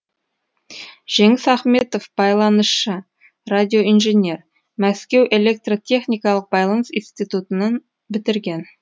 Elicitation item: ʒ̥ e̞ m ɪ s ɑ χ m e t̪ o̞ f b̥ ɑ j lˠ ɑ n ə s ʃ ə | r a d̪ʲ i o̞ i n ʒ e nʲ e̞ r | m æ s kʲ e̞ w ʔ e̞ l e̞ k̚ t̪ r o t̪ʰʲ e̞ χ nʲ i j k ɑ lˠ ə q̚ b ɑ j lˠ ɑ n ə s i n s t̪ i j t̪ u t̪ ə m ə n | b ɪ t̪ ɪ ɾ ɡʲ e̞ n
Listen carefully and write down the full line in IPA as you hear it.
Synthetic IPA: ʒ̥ e̞ ŋ ɪ s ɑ χ m e t̪ o̞ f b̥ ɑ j lˠ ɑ n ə s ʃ ə | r a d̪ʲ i o̞ i n ʒ e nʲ e̞ r | m æ s kʲ e̞ w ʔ e̞ l e̞ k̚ t̪ r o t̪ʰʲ e̞ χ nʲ i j k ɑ lˠ ə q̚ b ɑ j lˠ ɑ n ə s i n s t̪ i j t̪ u t̪ ə n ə n | b ɪ t̪ ɪ ɾ ɡʲ e̞ n